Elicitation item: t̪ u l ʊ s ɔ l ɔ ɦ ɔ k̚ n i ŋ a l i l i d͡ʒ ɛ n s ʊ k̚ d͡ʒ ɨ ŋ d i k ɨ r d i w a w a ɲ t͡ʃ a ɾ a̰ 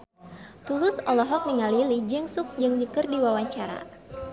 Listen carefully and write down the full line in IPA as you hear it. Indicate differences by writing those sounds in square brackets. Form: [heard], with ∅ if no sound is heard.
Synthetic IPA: t̪ u l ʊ s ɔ l ɔ ɦ ɔ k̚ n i ŋ a l i l i d͡ʒ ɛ [ŋ] s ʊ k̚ d͡ʒ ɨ ŋ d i k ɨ r d i w a w a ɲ t͡ʃ a ɾ a̰